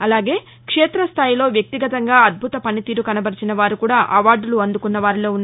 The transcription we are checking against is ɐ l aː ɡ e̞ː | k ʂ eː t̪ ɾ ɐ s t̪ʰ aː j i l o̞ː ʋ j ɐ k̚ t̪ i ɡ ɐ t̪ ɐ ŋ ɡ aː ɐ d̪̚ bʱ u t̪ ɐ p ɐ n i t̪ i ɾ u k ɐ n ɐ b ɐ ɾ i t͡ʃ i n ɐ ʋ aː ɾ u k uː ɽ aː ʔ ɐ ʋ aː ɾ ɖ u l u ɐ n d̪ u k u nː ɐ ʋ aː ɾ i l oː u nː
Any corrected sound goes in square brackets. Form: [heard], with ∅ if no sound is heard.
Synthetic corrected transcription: ɐ l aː ɡ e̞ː | k ʂ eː t̪ ɾ ɐ s t̪ʰ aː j i l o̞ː ʋ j ɐ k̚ t̪ i ɡ ɐ t̪ ɐ ŋ ɡ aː ɐ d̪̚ bʱ u t̪ ɐ p ɐ n i t̪ [iː] ɾ u k ɐ n ɐ b ɐ ɾ i t͡ʃ i n ɐ ʋ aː ɾ u k uː ɽ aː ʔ ɐ ʋ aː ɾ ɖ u l u ɐ n d̪ u k u nː ɐ ʋ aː ɾ i l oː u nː